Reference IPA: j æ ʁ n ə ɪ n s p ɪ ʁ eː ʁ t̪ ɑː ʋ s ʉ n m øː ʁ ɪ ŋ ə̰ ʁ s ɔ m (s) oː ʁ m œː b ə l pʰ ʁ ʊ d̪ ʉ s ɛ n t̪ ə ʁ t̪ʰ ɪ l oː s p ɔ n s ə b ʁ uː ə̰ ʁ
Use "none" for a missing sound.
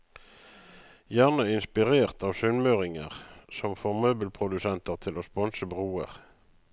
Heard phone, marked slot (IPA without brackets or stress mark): f